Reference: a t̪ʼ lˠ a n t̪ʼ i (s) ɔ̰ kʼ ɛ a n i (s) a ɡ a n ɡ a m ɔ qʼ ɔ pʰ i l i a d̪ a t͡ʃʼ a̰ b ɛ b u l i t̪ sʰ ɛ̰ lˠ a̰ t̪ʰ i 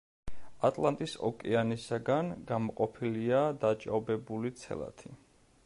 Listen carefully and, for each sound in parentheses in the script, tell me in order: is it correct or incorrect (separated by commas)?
correct, correct